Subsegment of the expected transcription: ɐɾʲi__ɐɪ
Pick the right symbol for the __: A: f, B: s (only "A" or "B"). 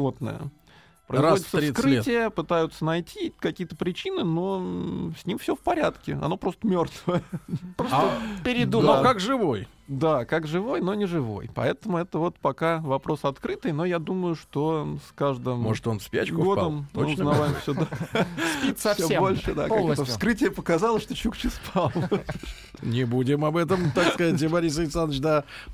B